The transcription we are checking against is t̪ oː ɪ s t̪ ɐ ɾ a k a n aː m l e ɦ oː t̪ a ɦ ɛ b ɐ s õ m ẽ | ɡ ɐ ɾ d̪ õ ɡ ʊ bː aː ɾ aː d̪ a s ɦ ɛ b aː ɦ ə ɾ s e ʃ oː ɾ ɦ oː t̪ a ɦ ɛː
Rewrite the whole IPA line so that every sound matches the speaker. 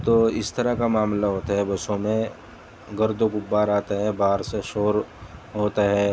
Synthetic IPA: t̪ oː ɪ s t̪ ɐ ɾ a k a m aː m l a ɦ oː t̪ a ɦ ɛ b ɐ s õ m ẽ | ɡ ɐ ɾ d̪ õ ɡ ʊ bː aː ɾ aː t̪ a ɦ ɛ b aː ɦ ə ɾ s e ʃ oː ɾ ɦ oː t̪ a ɦ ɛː